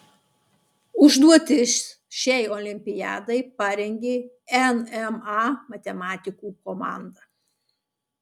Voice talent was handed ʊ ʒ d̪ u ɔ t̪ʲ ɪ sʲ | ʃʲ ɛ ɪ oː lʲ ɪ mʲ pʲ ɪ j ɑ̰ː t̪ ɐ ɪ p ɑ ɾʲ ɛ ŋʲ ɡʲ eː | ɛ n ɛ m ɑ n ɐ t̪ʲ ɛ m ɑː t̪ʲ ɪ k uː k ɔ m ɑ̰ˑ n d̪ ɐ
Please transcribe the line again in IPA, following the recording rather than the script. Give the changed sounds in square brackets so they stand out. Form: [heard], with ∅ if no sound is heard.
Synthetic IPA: ʊ ʒ d̪ u ɔ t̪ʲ ɪ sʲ | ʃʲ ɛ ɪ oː lʲ ɪ mʲ pʲ ɪ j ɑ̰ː [d̪] ɐ ɪ p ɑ ɾʲ ɛ ŋʲ ɡʲ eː | ɛ n ɛ m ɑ [m] ɐ t̪ʲ ɛ m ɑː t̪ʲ ɪ k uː k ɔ m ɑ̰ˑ n d̪ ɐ